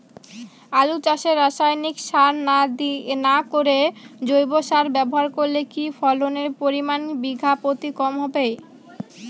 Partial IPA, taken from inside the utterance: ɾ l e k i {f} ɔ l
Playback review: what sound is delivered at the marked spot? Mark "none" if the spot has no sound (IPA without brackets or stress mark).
f